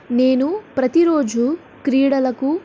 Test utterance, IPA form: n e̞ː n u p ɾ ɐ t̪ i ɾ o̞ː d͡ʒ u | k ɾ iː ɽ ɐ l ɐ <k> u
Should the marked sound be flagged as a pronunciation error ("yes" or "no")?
no